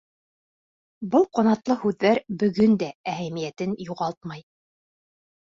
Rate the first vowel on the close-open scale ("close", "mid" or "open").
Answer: mid